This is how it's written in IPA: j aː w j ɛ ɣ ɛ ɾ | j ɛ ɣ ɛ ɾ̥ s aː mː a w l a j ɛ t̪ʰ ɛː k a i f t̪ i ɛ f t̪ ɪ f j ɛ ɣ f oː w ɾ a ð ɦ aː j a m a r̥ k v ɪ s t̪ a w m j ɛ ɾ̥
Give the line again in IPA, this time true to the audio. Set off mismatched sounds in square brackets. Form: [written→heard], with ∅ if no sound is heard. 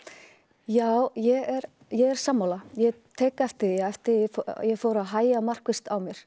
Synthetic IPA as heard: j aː w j ɛ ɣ ɛ ɾ | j ɛ ɣ ɛ ɾ̥ s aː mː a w l a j ɛ t̪ʰ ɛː k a [i→ɛ] f t̪ [i→ɪ] ɛ f t̪ ɪ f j ɛ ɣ f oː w ɾ a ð ɦ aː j a m a r̥ k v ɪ s t̪ a w m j ɛ ɾ̥